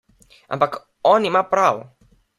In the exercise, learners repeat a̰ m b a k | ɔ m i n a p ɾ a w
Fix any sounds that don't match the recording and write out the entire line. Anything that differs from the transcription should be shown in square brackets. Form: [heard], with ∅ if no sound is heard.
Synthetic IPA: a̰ m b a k | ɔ [n] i [m] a p ɾ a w